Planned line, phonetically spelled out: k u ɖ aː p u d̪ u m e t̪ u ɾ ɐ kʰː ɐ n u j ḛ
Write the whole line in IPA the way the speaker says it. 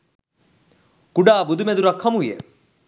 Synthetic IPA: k u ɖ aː b u d̪ u m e d̪ u ɾ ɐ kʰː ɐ m u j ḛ